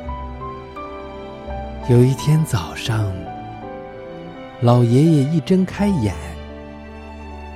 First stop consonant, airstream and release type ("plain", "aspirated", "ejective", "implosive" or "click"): aspirated